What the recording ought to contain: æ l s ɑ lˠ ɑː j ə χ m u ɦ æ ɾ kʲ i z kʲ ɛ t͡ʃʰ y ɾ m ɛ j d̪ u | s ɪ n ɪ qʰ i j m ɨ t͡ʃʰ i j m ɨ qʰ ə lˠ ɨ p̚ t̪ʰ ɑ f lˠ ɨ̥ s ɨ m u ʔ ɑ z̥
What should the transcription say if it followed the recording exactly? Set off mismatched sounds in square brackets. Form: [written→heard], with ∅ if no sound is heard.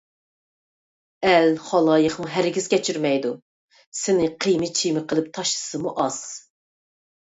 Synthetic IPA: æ l [s→χ] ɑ lˠ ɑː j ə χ m u ɦ æ ɾ [kʲ→ɡʲ] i z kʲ ɛ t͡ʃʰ y ɾ m ɛ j d̪ u | s ɪ n ɪ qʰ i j m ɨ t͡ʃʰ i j m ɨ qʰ ə lˠ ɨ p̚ t̪ʰ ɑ [f→ʃ] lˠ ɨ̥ s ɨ m u ʔ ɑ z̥